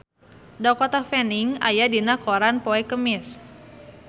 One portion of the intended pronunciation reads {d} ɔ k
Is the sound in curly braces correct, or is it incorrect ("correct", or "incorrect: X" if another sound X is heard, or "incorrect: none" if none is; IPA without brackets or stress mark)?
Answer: correct